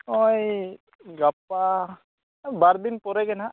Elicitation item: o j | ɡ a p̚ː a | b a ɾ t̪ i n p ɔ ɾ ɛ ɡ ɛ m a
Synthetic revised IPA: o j | ɡ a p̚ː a | b a ɾ d̪ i n p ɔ ɾ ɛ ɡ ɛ n a